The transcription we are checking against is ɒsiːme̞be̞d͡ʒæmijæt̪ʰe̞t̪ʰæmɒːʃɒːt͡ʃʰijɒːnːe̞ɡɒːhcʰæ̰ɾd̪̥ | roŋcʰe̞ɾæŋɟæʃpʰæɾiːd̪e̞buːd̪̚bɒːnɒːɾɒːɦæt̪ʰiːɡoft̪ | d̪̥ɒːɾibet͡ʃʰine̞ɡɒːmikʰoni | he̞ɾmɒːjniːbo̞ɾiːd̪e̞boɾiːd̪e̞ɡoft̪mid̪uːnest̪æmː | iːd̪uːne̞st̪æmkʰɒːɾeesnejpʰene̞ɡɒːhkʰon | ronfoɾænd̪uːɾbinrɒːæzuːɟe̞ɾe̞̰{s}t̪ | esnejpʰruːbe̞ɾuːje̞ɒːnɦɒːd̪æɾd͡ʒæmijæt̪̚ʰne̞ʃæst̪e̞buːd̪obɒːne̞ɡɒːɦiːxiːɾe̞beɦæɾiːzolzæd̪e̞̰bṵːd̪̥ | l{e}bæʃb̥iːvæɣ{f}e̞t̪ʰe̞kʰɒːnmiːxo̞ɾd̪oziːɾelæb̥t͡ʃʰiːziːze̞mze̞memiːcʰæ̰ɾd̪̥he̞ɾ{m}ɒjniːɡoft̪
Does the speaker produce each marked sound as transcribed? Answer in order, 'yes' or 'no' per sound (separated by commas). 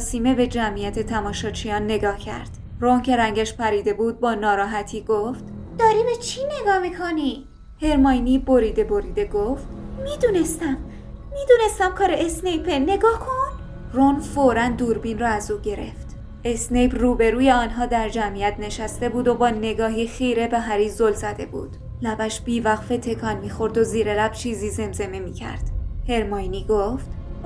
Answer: no, no, yes, yes